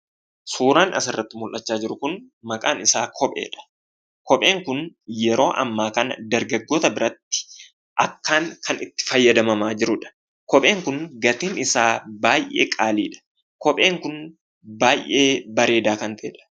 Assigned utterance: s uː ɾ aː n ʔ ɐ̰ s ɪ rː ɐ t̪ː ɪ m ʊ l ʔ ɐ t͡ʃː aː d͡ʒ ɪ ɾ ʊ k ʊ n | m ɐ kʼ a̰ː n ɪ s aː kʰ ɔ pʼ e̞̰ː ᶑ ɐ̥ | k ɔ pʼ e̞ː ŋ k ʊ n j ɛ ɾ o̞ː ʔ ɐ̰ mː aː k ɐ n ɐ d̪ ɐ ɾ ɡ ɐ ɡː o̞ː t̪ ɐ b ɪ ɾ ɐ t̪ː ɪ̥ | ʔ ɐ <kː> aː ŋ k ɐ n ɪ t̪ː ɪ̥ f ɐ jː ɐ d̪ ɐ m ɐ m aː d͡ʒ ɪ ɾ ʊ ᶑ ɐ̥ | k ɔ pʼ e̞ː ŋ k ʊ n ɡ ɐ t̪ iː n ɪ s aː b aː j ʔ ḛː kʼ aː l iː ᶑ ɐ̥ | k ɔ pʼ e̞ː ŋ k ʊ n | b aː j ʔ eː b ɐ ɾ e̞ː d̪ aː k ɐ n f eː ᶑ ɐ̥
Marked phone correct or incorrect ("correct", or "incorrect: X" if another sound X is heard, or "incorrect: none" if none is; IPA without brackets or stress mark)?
correct